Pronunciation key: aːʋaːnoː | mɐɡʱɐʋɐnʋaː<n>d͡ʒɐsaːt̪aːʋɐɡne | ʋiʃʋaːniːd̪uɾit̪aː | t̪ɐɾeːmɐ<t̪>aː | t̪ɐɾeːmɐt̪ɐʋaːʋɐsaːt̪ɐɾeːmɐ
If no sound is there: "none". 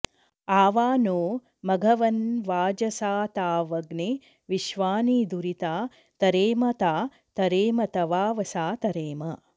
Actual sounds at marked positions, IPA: none, t̪

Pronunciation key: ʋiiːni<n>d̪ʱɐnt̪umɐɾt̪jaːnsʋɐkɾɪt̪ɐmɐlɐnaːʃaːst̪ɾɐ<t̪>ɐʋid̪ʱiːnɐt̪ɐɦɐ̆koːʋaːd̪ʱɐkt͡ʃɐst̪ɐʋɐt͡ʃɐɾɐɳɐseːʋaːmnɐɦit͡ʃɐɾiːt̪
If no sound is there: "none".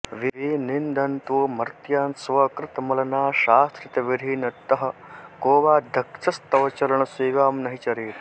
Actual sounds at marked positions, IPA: n, t̪

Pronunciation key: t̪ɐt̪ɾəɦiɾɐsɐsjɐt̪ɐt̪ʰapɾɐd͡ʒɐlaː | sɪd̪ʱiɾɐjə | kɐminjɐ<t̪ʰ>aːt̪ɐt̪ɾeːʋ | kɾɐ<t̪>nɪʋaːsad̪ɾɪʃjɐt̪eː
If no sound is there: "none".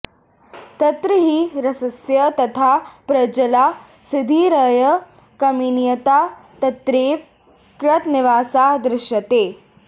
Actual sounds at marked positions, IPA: t̪, t̪

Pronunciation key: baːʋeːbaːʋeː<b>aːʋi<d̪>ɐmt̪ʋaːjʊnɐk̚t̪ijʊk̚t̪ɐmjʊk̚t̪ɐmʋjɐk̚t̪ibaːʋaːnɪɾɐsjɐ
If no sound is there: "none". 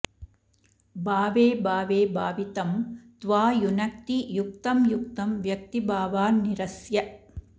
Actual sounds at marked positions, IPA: b, t̪

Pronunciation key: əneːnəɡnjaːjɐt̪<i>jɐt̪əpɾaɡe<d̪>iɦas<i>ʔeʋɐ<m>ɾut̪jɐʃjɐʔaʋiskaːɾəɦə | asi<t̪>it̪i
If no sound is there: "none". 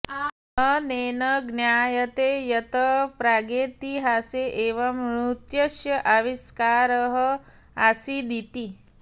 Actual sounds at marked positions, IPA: e, t̪, e, m, d̪

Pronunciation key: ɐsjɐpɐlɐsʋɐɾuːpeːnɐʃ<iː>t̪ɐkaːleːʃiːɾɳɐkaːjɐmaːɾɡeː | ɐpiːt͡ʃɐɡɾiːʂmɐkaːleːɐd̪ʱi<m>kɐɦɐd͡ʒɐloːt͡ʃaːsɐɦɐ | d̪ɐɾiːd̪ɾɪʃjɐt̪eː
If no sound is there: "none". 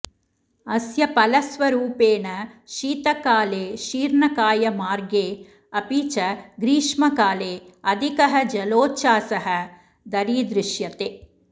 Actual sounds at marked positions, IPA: iː, none

